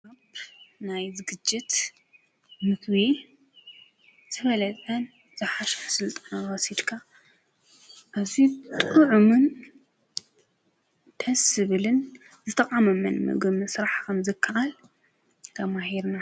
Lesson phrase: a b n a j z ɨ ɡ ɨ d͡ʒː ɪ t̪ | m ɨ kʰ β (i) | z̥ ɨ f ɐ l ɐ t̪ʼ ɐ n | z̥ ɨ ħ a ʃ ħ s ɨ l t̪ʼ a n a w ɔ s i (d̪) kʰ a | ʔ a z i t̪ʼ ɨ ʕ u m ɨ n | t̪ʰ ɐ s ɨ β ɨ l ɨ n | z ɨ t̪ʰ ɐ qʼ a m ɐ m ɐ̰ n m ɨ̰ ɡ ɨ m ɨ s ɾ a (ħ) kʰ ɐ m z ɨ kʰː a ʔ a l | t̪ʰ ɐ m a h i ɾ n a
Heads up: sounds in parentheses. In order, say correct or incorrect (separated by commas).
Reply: correct, correct, correct